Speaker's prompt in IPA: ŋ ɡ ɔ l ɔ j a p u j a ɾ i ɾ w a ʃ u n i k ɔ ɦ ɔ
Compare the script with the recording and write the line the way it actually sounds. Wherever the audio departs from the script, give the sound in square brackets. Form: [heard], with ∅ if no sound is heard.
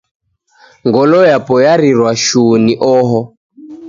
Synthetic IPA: ŋ ɡ ɔ l ɔ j a p [ɔ] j a ɾ i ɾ w a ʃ u n i [ʔ] ɔ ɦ ɔ